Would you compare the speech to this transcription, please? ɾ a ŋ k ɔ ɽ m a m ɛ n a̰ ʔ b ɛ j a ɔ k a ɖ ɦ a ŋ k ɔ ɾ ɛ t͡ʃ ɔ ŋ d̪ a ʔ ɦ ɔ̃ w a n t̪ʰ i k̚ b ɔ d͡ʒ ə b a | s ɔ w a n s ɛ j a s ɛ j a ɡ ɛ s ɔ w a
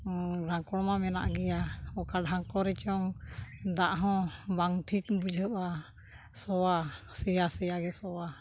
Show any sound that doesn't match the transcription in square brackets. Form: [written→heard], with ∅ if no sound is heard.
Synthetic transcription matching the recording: ɾ a ŋ k ɔ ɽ m a m ɛ n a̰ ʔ [b→ɡ] ɛ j a ɔ k a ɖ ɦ a ŋ k ɔ ɾ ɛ t͡ʃ ɔ ŋ d̪ a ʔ ɦ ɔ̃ [w→b] a [n→ŋ] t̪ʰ i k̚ b [ɔ→u] d͡ʒ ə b a | s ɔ w a [n→∅] s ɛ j a s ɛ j a ɡ ɛ s ɔ w a